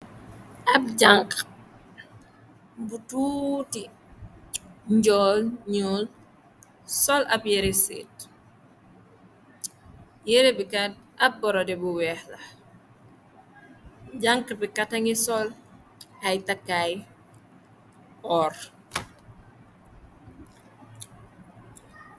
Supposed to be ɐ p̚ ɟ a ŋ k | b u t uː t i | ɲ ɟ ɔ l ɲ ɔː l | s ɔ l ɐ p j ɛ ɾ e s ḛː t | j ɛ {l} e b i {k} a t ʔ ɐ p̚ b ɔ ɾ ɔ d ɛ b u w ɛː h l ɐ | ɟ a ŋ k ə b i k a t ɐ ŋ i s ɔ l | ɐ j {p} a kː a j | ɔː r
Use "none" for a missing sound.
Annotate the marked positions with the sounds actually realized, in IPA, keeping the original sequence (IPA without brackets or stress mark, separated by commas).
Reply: ɾ, k, t